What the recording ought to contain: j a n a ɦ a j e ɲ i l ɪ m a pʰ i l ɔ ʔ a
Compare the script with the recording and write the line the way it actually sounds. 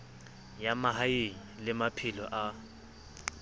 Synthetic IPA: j a m a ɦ a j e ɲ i l ɪ m a pʰ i l ɔ ʔ a